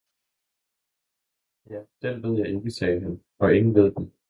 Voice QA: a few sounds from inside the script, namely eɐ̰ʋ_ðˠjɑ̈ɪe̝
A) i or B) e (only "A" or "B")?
B